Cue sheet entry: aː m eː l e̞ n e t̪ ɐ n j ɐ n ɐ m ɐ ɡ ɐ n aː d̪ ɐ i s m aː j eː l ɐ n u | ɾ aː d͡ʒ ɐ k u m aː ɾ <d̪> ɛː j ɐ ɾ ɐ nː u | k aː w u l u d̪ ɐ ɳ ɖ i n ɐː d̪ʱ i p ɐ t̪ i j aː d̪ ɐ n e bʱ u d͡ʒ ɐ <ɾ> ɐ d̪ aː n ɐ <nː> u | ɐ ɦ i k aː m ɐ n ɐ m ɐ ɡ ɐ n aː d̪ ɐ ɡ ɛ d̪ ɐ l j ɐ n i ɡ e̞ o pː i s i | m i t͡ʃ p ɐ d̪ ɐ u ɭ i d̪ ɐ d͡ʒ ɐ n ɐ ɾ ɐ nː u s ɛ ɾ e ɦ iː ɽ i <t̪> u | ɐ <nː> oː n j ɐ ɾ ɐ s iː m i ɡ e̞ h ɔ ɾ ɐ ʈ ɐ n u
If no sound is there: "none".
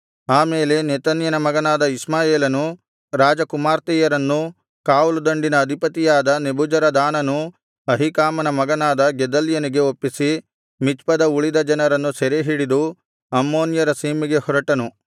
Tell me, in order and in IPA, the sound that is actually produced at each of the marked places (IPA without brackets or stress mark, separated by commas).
t̪, ɾ, n, d̪, mː